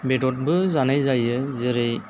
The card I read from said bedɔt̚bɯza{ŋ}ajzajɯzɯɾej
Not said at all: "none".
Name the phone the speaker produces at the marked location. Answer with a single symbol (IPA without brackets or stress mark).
n